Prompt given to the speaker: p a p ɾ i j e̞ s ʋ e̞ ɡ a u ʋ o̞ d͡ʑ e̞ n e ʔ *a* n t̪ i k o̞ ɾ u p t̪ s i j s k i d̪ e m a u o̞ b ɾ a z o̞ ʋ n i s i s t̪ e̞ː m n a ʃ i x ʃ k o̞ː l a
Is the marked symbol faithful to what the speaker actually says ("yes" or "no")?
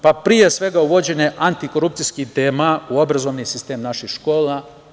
yes